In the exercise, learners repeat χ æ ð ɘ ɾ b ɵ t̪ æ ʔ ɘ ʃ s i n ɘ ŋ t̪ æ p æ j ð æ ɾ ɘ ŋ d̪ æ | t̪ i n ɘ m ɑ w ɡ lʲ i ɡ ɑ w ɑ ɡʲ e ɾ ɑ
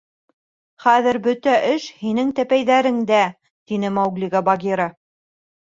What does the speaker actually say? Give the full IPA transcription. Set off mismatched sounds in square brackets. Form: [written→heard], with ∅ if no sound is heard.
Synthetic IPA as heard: χ æ ð ɘ ɾ b ɵ t̪ æ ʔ ɘ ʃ [s→h] i n ɘ ŋ t̪ æ p æ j ð æ ɾ ɘ ŋ d̪ æ | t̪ i n ɘ m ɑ w ɡ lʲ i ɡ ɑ [w→b] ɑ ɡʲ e ɾ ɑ